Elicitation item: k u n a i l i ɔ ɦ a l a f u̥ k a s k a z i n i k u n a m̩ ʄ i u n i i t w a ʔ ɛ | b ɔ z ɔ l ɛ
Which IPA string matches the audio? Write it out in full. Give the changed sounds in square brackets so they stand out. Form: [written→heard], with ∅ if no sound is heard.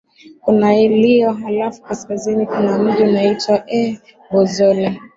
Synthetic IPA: k u n a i l i ɔ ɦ a l a f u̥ k a s k a z i n i k u n a m̩ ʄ i u n [i→a] i t w a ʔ ɛ | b ɔ z ɔ l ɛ